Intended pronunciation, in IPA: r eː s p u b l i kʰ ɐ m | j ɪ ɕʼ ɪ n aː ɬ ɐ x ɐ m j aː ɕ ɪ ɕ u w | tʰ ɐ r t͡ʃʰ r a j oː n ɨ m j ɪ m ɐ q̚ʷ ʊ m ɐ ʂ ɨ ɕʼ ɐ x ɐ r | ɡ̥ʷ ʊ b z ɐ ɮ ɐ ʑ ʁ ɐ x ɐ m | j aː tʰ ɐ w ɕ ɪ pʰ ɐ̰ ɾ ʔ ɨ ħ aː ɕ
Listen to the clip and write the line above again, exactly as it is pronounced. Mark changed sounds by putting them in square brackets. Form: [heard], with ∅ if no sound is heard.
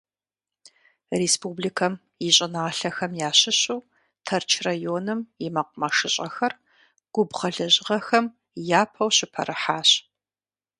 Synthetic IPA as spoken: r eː s p u b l i kʰ ɐ m | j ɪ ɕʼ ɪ n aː ɬ ɐ x ɐ m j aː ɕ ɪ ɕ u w | tʰ ɐ r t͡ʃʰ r a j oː n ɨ m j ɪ m ɐ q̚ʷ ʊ m ɐ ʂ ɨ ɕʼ ɐ x ɐ r | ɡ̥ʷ ʊ b [ʁ] ɐ ɮ ɐ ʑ ʁ ɐ x ɐ m | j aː [pʰ] ɐ w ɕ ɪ pʰ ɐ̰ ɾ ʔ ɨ ħ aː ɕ